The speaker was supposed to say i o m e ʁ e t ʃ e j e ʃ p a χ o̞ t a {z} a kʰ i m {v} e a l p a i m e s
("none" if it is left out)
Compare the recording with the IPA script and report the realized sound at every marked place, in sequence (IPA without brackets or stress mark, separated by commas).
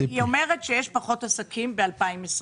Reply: s, b